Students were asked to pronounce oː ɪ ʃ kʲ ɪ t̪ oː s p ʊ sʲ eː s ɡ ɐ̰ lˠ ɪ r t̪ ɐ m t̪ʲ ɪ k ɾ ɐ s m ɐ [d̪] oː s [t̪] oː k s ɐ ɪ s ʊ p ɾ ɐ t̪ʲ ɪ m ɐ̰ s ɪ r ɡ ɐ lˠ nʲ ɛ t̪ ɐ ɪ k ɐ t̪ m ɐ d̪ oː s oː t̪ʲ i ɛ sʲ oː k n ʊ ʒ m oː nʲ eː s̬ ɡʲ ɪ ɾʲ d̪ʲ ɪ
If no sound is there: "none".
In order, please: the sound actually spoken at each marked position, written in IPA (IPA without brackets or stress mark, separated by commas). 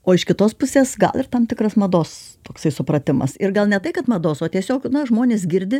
d̪, t̪